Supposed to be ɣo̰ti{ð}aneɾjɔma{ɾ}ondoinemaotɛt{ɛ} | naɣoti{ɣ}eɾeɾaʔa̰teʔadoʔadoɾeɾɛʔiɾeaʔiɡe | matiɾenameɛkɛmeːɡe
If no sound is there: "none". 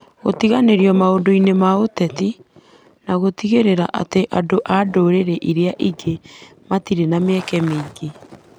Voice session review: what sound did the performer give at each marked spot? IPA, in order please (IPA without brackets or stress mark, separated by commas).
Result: ɣ, none, i, ɣ